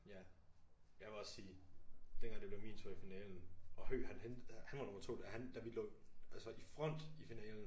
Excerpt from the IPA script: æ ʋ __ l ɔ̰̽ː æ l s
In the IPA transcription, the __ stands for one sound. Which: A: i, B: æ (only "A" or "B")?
A